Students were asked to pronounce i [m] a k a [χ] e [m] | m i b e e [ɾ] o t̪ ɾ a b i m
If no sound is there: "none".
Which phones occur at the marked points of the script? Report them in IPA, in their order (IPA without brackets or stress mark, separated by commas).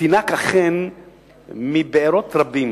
n, χ, n, ɾ